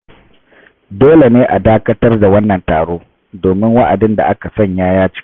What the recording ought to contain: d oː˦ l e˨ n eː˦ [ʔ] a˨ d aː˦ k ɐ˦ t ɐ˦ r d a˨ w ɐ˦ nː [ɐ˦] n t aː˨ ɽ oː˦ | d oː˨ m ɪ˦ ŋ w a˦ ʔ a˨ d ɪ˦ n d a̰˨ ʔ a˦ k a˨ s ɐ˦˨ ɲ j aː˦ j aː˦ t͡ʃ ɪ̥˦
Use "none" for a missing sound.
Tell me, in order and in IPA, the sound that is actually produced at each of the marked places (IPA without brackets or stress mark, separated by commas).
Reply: ʔ, ɐ˨